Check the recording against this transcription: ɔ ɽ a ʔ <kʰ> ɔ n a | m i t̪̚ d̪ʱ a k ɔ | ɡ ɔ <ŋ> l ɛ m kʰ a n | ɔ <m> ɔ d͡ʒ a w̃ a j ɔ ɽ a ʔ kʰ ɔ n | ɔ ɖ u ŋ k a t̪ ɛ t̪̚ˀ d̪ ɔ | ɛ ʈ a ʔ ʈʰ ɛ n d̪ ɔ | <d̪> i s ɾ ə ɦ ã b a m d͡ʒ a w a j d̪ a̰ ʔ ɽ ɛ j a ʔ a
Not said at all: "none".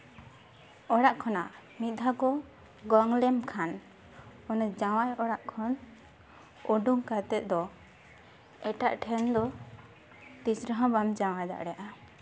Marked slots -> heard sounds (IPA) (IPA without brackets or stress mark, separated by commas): kʰ, ŋ, n, t̪